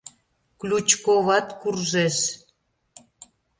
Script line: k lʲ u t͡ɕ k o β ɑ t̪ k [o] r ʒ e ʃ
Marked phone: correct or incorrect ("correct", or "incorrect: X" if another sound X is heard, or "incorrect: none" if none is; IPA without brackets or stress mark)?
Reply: incorrect: u